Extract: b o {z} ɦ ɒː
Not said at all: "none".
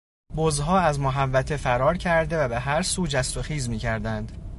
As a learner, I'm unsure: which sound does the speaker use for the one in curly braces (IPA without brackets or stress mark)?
z